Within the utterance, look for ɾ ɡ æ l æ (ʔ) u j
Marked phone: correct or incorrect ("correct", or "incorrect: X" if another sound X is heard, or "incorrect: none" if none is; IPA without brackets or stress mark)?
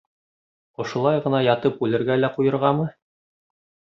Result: incorrect: q